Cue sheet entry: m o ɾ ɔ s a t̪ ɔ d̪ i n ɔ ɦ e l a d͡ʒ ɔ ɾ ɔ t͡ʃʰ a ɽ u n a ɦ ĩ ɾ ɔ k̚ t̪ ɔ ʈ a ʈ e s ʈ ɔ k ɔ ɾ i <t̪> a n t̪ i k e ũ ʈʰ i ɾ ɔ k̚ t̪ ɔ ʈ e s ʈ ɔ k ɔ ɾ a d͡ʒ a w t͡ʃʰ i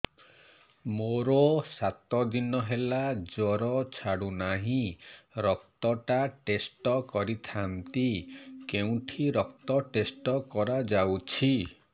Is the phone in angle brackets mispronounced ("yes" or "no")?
yes